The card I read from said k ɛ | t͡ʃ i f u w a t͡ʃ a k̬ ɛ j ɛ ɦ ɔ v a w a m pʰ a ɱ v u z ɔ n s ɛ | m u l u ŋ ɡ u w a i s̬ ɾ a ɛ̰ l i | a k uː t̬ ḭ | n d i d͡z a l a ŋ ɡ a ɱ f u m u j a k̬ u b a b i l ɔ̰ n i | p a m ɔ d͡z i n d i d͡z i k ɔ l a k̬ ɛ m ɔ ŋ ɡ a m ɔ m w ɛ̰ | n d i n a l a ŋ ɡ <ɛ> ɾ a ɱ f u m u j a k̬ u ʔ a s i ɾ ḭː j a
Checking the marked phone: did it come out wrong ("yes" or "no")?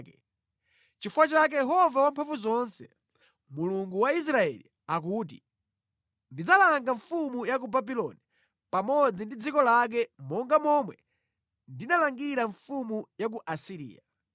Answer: yes